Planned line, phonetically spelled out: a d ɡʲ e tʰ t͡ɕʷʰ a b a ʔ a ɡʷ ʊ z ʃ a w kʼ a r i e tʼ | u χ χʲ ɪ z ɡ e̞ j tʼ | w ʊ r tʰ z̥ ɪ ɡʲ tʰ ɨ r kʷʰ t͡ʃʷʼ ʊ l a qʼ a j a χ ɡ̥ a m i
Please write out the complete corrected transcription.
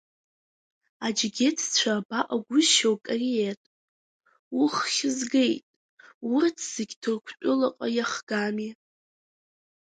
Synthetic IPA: a d͡ʒ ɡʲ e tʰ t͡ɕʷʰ a b a ʔ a ɡʷ ʊ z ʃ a w kʼ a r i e tʼ | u χ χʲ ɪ z ɡ e̞ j tʼ | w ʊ r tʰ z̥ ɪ ɡʲ tʰ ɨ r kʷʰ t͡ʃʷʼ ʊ l a qʼ a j a χ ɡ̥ a m i